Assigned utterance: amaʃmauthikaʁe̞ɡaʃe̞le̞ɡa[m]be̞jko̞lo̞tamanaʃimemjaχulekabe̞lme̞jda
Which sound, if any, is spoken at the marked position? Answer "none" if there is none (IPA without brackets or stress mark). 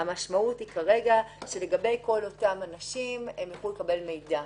none